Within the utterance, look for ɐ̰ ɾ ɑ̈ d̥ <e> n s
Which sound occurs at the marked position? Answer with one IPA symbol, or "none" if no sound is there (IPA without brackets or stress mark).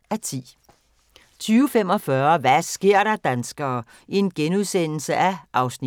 æ